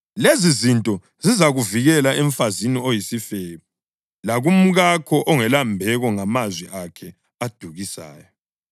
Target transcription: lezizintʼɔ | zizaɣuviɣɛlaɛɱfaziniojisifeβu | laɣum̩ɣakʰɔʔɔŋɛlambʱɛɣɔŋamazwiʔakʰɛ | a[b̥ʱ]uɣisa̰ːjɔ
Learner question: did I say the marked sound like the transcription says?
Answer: no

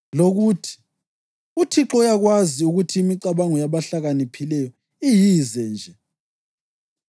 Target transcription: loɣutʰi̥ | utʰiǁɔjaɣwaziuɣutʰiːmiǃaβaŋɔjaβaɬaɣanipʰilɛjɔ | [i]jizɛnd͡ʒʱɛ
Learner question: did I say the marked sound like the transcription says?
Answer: yes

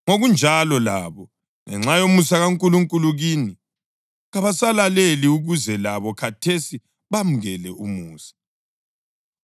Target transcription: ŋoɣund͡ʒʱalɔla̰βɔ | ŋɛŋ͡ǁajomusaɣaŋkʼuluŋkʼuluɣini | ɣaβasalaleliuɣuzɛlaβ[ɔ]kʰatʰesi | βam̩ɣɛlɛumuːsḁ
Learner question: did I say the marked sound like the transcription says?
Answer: yes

